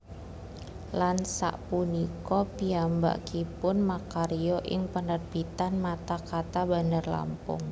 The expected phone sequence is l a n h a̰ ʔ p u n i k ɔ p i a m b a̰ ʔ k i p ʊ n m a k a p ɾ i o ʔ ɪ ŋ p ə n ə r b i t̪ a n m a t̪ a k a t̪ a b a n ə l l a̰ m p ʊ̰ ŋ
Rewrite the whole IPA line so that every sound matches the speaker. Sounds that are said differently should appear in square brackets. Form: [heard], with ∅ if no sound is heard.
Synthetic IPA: l a n [s] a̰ ʔ p u n i k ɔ p i a m b a̰ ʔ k i p ʊ n m a k a [∅] ɾ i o ʔ ɪ ŋ p ə n ə r b i t̪ a n m a t̪ a k a t̪ a b a n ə [r] l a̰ m p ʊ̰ ŋ